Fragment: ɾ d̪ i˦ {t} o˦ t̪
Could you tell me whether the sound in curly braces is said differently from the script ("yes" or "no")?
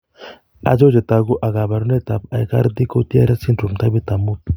yes